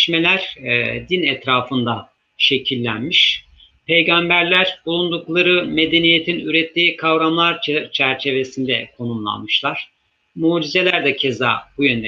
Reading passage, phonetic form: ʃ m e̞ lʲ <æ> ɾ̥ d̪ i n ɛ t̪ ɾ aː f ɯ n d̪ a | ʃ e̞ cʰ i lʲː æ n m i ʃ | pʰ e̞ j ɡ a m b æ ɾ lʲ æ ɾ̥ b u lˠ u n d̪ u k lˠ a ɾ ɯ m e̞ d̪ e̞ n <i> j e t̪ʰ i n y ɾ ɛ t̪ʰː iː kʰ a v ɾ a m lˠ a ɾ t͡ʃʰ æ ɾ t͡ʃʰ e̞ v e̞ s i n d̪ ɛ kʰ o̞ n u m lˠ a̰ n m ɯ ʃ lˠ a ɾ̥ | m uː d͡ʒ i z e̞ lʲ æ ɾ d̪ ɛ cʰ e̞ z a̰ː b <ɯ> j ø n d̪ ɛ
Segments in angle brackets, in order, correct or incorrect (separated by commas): correct, correct, incorrect